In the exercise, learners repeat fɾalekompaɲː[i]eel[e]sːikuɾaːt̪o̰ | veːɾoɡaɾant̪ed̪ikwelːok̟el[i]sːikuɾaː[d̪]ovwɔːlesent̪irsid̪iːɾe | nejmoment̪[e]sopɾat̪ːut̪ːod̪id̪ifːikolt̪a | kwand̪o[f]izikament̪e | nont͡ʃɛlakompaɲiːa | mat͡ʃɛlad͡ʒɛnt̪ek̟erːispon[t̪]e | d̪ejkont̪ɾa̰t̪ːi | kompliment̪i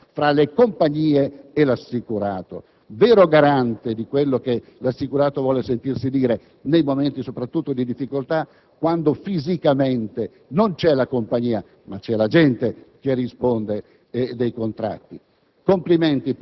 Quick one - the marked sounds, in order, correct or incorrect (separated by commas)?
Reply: incorrect, incorrect, incorrect, incorrect, incorrect, correct, incorrect